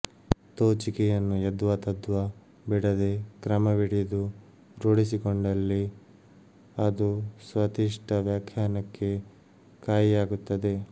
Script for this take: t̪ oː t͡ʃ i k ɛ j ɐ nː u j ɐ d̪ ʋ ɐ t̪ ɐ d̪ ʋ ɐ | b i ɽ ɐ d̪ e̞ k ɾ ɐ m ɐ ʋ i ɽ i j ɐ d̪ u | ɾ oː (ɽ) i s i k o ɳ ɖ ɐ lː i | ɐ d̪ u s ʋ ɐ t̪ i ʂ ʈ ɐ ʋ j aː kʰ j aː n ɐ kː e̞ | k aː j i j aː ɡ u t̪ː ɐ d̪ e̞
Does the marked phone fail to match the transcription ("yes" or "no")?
no